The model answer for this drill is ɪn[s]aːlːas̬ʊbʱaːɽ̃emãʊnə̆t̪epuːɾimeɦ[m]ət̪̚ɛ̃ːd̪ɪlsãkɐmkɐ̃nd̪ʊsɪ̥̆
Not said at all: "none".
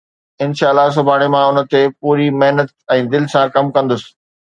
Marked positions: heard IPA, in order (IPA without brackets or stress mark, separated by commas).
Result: ʃ, n